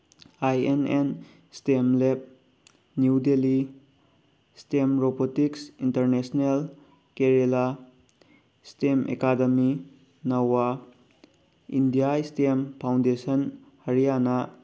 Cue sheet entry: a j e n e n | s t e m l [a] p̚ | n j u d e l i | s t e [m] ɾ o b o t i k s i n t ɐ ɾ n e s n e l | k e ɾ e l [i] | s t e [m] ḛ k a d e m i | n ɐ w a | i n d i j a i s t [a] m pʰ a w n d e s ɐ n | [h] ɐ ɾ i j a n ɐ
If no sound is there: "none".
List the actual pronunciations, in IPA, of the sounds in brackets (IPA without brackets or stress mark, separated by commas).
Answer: e, m, a, m, e, h